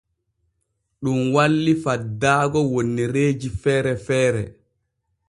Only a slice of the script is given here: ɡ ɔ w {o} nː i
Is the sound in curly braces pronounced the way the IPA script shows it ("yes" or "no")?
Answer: yes